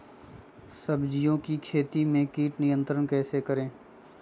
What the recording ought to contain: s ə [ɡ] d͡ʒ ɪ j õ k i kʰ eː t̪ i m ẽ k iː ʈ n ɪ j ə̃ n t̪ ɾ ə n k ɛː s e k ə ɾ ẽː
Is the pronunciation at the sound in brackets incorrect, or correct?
incorrect